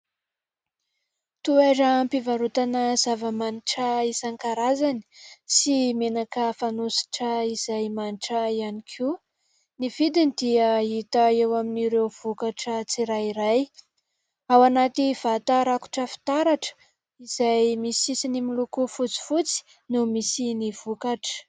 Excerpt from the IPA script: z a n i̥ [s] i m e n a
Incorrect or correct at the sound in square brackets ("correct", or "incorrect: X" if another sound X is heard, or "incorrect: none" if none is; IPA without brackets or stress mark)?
correct